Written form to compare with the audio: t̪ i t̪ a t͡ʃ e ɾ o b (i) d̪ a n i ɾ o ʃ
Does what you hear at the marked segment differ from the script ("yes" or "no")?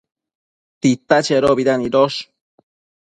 no